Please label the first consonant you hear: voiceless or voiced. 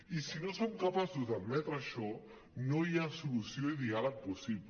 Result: voiceless